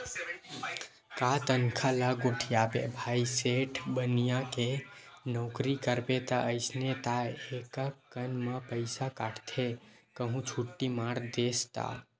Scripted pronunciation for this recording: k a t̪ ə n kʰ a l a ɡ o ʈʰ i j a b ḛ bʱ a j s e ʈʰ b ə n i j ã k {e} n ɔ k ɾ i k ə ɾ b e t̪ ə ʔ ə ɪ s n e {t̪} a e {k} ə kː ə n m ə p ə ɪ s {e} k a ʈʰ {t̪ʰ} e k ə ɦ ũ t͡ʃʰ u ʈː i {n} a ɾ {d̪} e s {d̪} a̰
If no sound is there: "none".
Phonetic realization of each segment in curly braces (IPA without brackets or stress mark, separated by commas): e, t̪, k, a, t̪ʰ, m, d̪, t̪